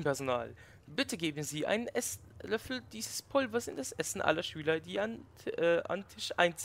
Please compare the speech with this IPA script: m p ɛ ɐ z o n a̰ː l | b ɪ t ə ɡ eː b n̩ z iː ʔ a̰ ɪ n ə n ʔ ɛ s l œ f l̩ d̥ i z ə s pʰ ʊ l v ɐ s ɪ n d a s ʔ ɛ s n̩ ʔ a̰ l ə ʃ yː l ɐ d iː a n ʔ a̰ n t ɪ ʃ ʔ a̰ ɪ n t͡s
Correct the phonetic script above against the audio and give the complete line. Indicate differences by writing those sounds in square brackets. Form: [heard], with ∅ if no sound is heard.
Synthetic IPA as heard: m p ɛ ɐ z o n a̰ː l | b ɪ t ə ɡ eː b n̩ z iː ʔ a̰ ɪ n ə n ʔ ɛ s l œ f l̩ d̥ [iː] z ə s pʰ ʊ l v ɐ s ɪ n d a s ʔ ɛ s n̩ ʔ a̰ l [ɐ] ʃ yː l ɐ d iː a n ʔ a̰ n [tʰ] ɪ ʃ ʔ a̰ ɪ n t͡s